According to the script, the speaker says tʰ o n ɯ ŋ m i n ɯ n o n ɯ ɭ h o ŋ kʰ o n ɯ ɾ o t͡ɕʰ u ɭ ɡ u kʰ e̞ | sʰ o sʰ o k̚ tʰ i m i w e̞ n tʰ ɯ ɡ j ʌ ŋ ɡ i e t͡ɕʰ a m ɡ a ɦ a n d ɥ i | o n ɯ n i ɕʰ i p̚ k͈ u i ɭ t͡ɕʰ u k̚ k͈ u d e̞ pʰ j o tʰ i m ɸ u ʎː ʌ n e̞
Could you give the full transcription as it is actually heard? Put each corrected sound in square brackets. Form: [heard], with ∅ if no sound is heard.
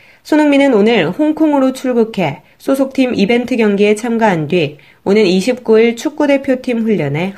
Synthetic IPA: [sʰ] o n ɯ ŋ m i n ɯ n o n ɯ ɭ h o ŋ kʰ o [ŋ] ɯ ɾ o t͡ɕʰ u ɭ ɡ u kʰ e̞ | sʰ o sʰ o k̚ tʰ i m i [b] e̞ n tʰ ɯ ɡ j ʌ ŋ ɡ i e t͡ɕʰ a m ɡ a ɦ a n d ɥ i | o n ɯ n i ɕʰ i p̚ k͈ u i ɭ t͡ɕʰ u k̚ k͈ u d e̞ pʰ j o tʰ i m ɸ u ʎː ʌ n e̞